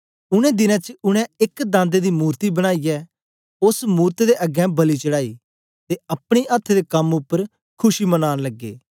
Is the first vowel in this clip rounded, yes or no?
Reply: yes